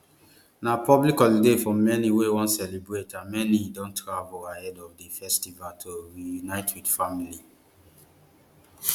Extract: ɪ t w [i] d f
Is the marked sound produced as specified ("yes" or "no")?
yes